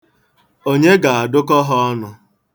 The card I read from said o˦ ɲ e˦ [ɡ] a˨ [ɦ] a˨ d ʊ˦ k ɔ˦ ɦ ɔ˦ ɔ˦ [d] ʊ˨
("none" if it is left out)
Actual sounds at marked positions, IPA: ɡ, none, n

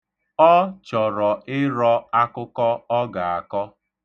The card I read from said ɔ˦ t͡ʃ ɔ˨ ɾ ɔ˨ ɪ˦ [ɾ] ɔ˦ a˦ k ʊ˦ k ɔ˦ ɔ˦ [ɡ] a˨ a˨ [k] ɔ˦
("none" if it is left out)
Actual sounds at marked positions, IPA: ɾ, ɡ, k

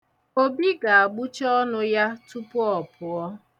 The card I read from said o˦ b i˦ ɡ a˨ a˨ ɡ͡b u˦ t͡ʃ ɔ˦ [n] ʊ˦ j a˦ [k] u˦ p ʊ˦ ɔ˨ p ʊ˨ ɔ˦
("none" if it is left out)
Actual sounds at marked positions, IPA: n, t

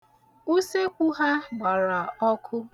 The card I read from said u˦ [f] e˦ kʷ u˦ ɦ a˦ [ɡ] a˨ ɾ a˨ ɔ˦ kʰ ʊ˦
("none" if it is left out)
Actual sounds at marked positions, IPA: s, ɡ͡b

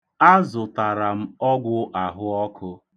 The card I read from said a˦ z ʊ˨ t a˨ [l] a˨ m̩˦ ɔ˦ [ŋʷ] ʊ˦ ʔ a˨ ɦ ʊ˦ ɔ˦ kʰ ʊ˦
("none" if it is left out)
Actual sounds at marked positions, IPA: ɾ, ɡʷ

